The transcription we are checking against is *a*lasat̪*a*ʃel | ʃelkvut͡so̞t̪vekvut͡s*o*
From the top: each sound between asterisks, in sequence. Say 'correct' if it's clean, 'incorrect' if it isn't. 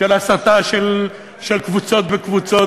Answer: incorrect: e, correct, correct

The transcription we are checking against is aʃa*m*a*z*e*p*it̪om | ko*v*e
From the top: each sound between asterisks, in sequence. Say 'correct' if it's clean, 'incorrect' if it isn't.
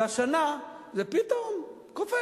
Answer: incorrect: n, correct, correct, incorrect: f

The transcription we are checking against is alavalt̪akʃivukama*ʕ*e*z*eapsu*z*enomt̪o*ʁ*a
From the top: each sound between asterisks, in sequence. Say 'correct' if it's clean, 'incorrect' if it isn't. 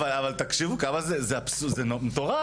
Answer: incorrect: z, correct, correct, correct

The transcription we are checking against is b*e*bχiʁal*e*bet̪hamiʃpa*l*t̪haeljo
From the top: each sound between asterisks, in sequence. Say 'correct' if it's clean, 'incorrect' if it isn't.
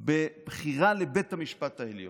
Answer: correct, correct, incorrect: none

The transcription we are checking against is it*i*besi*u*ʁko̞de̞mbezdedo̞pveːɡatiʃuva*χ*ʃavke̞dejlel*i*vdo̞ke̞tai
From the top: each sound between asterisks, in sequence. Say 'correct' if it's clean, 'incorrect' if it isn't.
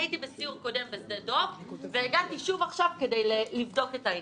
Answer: correct, correct, correct, correct

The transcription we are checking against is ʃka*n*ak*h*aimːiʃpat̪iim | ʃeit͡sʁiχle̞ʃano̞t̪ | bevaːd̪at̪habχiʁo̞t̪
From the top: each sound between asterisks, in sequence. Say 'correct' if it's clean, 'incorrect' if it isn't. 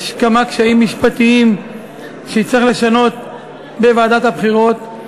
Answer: incorrect: m, incorrect: ʃ

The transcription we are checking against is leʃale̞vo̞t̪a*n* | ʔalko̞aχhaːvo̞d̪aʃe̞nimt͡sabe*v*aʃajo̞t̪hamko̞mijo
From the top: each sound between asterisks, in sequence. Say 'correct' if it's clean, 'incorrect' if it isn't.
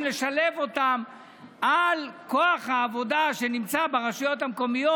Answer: incorrect: m, incorrect: ʁ

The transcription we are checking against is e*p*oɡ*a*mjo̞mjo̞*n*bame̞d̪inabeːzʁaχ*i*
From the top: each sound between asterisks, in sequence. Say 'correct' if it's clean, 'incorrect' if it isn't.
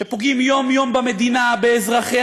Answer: correct, incorrect: i, incorrect: m, incorrect: e

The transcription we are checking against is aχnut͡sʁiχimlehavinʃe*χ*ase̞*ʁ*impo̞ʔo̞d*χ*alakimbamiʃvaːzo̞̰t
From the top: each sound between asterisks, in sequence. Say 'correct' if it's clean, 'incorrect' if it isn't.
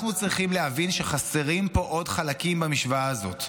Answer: correct, correct, correct

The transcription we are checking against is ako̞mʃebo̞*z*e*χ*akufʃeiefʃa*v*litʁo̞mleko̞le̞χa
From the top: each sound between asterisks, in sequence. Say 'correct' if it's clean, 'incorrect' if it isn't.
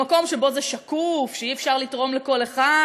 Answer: correct, incorrect: ʃ, incorrect: ʁ

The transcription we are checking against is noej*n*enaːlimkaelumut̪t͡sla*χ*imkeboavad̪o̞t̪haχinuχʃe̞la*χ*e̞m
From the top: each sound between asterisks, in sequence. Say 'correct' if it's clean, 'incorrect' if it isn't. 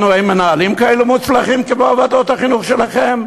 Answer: incorrect: m, correct, correct

